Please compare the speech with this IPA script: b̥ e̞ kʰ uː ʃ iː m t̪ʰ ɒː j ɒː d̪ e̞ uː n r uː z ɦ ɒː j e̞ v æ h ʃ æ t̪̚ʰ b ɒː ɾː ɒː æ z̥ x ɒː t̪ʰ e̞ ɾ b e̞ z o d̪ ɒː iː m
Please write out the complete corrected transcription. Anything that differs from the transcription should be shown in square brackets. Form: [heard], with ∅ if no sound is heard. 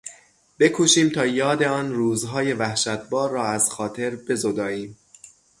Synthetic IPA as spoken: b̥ e̞ kʰ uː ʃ iː m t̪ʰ ɒː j ɒː d̪ e̞ [ɒː] n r uː z ɦ ɒː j e̞ v æ h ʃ æ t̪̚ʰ b ɒː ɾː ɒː æ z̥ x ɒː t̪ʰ e̞ ɾ b e̞ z o d̪ ɒː iː m